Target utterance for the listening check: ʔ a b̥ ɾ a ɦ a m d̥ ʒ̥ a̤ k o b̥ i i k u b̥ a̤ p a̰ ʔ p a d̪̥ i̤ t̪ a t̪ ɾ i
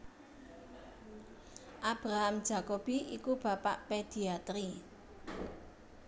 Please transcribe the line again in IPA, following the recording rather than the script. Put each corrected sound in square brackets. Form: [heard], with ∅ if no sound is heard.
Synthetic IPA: ʔ a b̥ ɾ a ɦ a m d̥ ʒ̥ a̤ k o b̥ i i k u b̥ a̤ p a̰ ʔ p [e] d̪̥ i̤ [∅] a t̪ ɾ i